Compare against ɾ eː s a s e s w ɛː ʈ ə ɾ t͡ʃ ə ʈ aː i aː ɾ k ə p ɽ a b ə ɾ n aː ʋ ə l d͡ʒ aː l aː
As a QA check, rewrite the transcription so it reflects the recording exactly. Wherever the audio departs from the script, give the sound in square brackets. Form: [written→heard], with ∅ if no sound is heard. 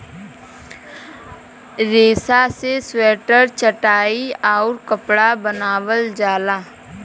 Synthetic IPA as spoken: ɾ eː s a s e s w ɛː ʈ ə ɾ t͡ʃ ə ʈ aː i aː ɾ k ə p ɽ a b ə [ɾ→∅] n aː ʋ ə l d͡ʒ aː l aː